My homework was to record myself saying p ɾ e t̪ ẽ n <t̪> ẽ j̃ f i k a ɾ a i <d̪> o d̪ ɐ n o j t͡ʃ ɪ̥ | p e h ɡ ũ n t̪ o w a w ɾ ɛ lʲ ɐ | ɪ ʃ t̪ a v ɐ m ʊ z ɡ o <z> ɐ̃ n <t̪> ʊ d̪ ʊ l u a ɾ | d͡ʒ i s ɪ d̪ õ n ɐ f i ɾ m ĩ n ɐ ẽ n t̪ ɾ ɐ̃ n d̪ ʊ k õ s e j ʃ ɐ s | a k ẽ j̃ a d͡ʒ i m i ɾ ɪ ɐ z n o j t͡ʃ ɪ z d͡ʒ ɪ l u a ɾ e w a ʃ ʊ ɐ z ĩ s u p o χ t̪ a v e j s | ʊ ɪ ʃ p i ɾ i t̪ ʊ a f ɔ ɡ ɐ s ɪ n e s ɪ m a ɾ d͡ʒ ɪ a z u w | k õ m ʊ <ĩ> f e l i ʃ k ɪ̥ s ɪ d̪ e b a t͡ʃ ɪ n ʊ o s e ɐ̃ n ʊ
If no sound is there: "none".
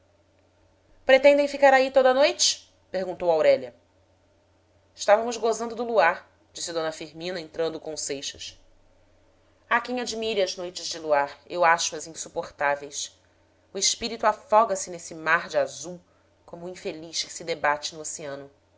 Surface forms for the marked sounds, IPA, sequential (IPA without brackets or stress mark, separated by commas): d̪, t̪, z, d̪, ĩ